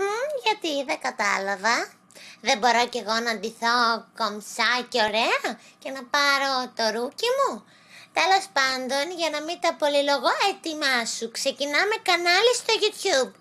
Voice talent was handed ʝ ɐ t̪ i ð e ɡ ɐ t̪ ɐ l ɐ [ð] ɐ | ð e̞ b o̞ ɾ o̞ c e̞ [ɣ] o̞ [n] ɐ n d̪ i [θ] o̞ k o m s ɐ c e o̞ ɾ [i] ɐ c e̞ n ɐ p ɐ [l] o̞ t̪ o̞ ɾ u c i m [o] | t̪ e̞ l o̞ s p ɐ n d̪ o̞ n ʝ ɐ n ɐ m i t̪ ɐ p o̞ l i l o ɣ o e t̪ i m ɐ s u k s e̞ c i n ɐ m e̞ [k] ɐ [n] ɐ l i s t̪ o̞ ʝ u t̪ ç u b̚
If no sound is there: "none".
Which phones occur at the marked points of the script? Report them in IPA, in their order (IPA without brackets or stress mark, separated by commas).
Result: v, ɣ, n, θ, e, ɾ, u, k, n